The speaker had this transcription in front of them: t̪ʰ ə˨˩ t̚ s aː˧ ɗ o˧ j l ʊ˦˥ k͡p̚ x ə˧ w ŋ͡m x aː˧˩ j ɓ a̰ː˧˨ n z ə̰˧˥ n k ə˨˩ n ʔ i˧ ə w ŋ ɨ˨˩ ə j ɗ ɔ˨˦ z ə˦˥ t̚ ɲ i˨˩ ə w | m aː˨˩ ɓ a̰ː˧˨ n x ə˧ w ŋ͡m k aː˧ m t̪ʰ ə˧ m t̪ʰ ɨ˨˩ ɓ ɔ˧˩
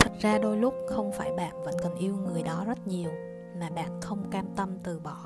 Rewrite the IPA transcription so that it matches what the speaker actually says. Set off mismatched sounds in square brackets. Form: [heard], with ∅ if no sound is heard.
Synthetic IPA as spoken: t̪ʰ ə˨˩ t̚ [z] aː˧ ɗ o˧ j l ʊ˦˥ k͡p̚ x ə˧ w ŋ͡m [f] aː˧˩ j ɓ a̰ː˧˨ n [v] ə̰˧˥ n k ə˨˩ n ʔ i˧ ə w ŋ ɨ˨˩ ə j ɗ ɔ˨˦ z ə˦˥ t̚ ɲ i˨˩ ə w | m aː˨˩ ɓ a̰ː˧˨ n x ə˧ w ŋ͡m k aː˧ m [t̪] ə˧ m [t̪] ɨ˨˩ ɓ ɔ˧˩